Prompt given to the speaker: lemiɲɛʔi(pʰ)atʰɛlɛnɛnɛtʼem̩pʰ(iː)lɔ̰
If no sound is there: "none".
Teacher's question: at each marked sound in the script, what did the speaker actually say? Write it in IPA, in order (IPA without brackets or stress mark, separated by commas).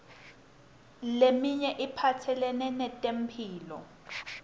pʰ, iː